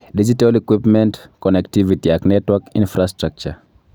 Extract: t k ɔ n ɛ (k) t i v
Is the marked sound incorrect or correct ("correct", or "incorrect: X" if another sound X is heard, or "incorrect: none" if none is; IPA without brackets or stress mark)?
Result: correct